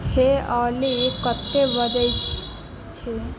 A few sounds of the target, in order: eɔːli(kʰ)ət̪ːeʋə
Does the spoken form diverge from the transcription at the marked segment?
yes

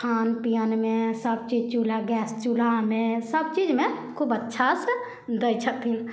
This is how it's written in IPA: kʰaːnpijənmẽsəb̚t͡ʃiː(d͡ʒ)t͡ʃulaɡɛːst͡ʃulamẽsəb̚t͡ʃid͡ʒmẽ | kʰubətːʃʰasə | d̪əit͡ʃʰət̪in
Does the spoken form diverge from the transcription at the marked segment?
no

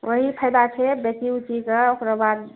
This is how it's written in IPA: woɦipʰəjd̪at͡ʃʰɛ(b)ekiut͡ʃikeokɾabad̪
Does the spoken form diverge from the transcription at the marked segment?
no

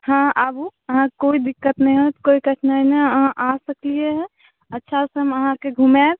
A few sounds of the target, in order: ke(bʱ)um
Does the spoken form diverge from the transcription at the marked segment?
yes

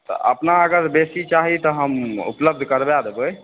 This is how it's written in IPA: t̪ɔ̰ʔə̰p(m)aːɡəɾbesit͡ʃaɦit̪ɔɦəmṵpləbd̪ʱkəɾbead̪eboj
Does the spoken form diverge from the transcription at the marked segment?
yes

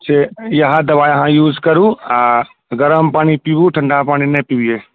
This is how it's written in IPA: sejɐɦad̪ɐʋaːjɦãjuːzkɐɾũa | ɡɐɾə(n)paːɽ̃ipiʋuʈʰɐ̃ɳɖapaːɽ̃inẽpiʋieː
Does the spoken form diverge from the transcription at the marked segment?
yes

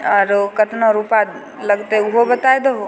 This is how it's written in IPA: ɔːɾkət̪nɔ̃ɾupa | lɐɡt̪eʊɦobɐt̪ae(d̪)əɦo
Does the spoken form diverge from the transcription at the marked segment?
no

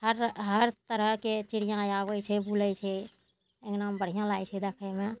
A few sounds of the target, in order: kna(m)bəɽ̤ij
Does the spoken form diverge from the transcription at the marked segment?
no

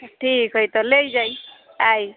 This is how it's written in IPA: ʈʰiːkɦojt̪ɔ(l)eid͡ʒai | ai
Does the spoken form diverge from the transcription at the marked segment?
no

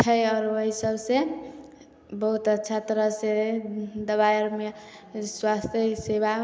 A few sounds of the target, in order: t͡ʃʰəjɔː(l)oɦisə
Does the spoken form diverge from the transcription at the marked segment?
yes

